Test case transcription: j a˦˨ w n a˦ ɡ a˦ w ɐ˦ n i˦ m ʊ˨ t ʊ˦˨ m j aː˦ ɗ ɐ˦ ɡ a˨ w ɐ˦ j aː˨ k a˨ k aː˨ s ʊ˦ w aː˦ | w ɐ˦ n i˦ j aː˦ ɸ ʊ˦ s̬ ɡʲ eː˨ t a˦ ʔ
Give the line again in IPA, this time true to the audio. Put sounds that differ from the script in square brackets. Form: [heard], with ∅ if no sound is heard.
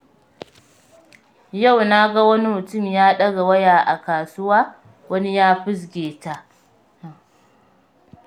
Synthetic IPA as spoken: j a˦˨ w n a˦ ɡ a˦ w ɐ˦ n i˦ m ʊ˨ t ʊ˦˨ m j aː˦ ɗ ɐ˦ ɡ a˨ w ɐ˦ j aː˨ [ʔ] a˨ k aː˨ s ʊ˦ w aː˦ | w ɐ˦ n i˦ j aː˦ ɸ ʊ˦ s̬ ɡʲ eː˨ t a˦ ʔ

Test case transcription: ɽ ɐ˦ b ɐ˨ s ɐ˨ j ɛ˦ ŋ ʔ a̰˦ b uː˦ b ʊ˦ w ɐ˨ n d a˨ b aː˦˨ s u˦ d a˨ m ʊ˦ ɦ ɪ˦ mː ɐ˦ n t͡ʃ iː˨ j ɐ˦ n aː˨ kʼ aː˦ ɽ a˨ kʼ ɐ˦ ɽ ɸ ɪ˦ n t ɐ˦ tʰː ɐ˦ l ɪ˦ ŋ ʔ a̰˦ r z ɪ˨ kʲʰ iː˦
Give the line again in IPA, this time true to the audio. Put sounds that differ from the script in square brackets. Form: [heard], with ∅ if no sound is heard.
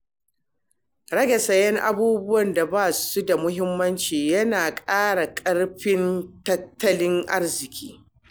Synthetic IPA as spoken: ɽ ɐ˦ [ɡ] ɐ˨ s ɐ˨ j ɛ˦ ŋ ʔ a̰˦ b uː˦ b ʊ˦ w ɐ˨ n d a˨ b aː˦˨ s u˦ d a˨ m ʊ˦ ɦ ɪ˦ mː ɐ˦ n t͡ʃ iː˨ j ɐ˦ n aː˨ kʼ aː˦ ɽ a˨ kʼ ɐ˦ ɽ ɸ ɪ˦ n t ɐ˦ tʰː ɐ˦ l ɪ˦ ŋ ʔ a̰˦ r z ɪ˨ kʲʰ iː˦

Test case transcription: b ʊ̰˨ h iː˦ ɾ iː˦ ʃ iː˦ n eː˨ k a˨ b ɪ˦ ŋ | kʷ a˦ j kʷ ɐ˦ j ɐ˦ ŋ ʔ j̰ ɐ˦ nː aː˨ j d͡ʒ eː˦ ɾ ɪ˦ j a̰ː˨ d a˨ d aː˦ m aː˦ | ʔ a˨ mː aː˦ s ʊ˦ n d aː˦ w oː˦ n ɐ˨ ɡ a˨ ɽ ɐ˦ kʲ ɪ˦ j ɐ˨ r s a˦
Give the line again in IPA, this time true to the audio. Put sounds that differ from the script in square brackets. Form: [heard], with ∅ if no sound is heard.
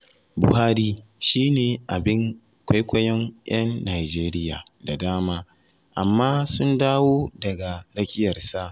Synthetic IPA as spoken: b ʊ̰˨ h [aː˦] ɾ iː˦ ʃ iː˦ n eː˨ [ʔ] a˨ b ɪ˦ ŋ | kʷ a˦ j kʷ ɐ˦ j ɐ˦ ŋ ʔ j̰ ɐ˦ nː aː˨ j d͡ʒ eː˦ ɾ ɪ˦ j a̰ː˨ d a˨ d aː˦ m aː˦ | ʔ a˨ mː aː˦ s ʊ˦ n d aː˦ w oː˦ [d] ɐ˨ ɡ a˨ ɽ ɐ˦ kʲ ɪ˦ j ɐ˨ r s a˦

